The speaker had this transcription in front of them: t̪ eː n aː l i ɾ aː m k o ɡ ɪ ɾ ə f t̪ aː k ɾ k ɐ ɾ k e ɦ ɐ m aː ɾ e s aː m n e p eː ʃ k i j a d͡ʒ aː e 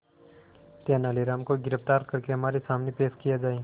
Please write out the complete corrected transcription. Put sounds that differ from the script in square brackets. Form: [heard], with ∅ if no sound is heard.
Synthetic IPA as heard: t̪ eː n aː l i ɾ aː m k o ɡ ɪ ɾ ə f t̪ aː [∅] ɾ k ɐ ɾ k e ɦ ɐ m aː ɾ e s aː m n e p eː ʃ k i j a d͡ʒ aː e